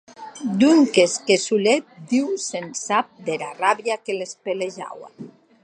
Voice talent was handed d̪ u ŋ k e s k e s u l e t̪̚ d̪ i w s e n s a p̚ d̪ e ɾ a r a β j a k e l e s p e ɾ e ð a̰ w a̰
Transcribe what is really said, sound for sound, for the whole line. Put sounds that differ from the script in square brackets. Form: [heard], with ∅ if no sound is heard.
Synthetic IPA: d̪ u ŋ k e s k e s u l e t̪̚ d̪ i w s e n s a p̚ d̪ e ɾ a r a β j a k e l e s p e [l] e [ʒ] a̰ w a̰